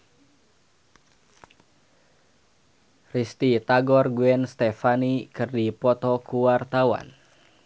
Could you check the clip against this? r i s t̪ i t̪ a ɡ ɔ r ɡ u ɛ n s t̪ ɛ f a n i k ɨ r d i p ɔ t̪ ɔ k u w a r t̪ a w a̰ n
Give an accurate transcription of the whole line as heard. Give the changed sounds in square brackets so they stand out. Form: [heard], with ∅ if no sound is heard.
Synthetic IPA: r i s t̪ i t̪ a ɡ ɔ r ɡ u ɛ n s t̪ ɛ f a n i k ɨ r d i p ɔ t̪ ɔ k u w a r t̪ a w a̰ n